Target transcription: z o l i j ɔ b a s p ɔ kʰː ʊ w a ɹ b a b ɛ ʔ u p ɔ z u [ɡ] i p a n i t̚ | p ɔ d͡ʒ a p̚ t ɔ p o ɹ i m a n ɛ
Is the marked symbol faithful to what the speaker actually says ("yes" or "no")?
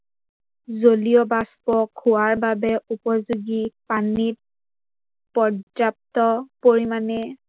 yes